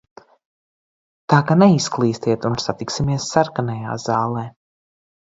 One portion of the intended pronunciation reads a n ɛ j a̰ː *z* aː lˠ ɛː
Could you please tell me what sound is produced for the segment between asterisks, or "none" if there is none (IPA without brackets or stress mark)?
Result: z